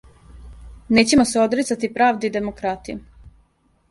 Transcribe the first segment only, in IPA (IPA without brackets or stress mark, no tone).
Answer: n